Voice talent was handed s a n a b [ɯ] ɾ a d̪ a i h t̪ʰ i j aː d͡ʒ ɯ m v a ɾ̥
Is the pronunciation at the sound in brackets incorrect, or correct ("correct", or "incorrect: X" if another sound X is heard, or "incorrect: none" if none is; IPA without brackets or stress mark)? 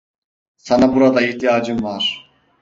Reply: incorrect: u